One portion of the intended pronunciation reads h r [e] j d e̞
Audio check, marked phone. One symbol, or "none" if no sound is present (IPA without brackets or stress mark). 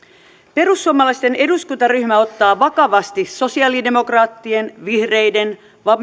e